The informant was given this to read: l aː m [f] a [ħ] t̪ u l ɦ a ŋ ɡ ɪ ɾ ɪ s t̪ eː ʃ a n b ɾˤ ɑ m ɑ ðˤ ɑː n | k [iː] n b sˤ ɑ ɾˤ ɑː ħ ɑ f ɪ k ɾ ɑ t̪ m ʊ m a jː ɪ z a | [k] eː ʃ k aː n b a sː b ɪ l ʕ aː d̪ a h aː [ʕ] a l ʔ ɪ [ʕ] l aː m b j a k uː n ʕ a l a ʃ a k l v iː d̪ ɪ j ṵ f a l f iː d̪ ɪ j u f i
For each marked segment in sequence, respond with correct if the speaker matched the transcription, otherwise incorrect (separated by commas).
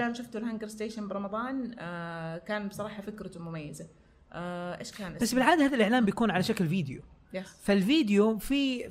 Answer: incorrect, incorrect, incorrect, incorrect, incorrect, correct